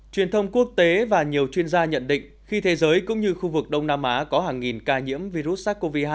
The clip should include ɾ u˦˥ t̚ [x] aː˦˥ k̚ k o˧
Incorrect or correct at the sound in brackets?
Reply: incorrect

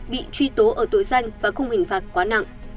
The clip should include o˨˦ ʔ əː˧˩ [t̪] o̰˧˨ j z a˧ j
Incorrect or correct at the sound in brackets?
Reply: correct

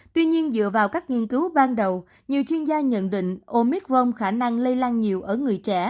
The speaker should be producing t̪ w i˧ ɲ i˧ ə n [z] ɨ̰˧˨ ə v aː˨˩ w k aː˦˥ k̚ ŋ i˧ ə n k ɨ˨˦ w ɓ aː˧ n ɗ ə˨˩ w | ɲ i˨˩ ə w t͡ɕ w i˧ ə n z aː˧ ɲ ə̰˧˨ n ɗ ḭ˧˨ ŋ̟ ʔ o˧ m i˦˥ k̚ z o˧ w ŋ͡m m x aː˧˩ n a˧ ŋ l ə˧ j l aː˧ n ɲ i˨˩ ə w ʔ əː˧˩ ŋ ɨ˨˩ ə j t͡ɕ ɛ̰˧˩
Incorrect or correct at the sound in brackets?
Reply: correct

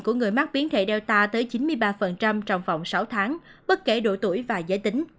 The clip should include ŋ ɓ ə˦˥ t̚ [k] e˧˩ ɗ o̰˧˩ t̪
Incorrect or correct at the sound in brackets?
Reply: correct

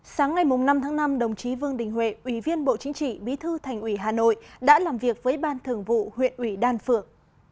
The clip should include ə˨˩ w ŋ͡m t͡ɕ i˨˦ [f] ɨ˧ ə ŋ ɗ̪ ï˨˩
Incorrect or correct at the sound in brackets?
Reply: incorrect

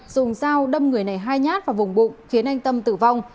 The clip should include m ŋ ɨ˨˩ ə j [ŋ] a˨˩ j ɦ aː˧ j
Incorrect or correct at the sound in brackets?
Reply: incorrect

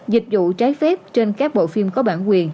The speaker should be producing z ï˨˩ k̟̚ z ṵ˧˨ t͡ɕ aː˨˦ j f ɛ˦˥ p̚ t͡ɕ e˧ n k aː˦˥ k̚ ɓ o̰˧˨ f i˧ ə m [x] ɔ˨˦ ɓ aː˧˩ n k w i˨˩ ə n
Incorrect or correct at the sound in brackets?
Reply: incorrect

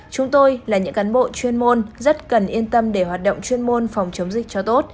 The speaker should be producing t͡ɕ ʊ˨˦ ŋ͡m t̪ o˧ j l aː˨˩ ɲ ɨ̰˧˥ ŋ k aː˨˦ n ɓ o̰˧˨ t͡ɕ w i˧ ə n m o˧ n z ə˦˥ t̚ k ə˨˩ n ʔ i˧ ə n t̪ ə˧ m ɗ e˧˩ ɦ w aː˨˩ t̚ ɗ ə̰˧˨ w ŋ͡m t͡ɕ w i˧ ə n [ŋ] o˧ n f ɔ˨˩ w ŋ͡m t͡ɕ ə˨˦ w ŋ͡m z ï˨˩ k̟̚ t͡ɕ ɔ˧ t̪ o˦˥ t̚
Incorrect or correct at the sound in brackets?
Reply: incorrect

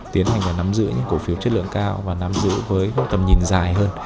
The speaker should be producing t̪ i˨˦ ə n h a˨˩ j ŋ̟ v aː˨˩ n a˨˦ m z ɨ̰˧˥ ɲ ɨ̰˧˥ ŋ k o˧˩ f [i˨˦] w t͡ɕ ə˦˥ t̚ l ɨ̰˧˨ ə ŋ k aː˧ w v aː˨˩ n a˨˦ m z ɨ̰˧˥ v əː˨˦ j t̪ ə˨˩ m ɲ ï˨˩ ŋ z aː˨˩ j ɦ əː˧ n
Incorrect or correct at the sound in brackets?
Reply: correct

